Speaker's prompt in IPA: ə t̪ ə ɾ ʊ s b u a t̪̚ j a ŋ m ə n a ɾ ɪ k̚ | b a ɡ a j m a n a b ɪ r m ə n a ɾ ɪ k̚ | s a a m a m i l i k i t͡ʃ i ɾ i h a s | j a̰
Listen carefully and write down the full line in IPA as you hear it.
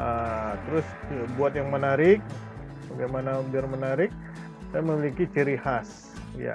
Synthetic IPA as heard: ə t̪ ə ɾ ʊ s b u a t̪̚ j a ŋ m ə n a ɾ ɪ k̚ | b a ɡ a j m a n a b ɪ r m ə n a ɾ ɪ k̚ | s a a m ə m i l i k i t͡ʃ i ɾ i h a s | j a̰